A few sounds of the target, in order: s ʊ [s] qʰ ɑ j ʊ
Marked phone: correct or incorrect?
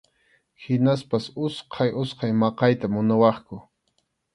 correct